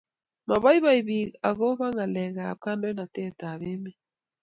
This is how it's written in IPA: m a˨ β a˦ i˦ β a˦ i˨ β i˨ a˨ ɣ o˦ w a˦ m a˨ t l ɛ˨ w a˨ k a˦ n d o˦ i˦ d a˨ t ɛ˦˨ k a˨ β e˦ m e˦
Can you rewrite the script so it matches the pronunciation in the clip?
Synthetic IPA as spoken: m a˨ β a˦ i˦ β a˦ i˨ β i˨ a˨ ɣ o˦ β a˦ ŋ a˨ l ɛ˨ ɣ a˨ k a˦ n d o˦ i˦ n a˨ t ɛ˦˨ t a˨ β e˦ m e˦